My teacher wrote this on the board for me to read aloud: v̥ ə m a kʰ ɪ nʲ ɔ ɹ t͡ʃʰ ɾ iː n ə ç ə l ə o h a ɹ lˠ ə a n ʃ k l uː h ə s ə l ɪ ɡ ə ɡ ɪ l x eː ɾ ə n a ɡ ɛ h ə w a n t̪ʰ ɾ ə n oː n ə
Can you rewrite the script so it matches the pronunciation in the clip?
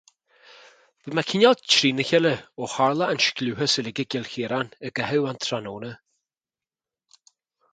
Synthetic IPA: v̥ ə m a kʰ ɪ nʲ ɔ l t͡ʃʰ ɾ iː n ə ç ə l ə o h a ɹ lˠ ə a n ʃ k l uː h ə s ə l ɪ ɡ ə ɡ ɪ l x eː ɾ a n ə ɡ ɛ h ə w a n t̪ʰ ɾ a n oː n ə